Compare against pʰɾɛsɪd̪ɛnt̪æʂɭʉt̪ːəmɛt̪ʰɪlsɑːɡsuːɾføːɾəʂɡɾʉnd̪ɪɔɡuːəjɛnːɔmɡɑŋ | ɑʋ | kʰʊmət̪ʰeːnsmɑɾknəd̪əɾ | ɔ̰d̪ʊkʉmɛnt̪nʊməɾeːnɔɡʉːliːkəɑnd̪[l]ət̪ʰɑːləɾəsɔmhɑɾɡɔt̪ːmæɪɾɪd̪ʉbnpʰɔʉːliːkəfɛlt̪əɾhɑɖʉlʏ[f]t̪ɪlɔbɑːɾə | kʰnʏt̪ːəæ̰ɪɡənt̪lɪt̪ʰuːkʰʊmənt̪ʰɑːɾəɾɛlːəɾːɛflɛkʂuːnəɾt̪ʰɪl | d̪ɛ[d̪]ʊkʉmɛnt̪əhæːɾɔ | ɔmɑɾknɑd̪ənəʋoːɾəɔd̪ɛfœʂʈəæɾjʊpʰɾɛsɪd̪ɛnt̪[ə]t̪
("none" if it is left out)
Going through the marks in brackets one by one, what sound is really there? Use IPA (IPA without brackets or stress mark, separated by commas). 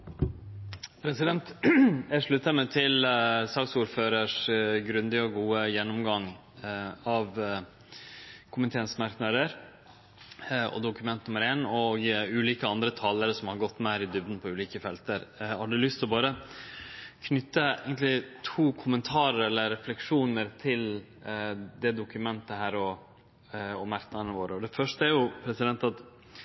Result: ɾ, s, d̪, ɑ